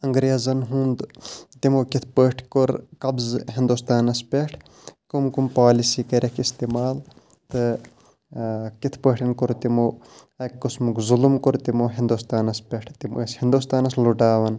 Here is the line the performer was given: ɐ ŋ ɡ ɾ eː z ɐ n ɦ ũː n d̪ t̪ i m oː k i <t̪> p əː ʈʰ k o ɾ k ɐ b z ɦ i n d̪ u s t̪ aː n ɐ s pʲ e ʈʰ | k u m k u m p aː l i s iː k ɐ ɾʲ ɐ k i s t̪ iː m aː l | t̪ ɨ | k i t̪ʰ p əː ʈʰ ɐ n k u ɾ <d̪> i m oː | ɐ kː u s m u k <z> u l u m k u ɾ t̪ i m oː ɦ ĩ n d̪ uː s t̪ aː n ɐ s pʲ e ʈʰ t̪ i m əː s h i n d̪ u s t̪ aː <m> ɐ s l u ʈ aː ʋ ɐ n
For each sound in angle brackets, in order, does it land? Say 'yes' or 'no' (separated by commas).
no, no, yes, no